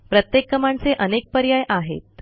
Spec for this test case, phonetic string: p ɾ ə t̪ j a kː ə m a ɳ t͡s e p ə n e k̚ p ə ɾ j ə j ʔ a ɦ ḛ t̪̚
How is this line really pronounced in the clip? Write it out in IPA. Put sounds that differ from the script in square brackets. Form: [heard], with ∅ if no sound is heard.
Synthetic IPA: p ɾ ə t̪ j [e] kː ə m a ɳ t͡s e [ʔ] ə n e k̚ p ə ɾ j [a] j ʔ a ɦ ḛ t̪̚